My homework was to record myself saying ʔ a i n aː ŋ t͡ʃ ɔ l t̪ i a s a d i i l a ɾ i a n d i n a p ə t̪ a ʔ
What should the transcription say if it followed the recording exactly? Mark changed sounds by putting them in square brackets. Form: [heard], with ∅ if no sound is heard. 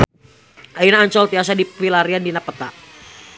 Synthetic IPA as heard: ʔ a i n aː [ɲ] t͡ʃ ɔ l t̪ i a s a d i i l a ɾ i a n d i n a p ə t̪ a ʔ